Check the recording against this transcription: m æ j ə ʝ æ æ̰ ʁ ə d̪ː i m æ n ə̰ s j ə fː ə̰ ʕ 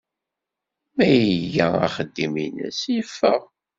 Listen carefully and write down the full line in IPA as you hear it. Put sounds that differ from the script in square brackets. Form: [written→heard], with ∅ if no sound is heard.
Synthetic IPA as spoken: m æ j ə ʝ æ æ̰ [ʁ→χ] ə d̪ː i m [æ→i] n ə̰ s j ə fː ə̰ [ʕ→ʁ]